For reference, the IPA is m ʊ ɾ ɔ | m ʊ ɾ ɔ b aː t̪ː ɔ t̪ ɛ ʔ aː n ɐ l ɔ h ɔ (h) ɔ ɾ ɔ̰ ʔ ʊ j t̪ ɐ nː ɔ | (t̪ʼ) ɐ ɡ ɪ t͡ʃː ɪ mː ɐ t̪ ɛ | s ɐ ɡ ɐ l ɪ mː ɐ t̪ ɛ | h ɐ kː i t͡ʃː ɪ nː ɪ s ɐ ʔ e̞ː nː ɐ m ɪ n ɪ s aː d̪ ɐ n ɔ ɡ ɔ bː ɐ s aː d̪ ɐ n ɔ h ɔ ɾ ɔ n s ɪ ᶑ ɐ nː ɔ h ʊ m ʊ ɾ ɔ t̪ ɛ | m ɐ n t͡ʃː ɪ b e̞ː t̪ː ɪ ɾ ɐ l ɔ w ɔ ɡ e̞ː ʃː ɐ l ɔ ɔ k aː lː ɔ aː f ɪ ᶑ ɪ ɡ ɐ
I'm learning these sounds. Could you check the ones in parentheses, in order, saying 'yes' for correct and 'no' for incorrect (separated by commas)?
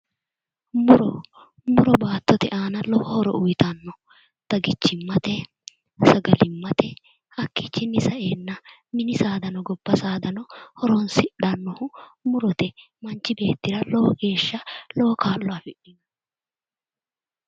yes, no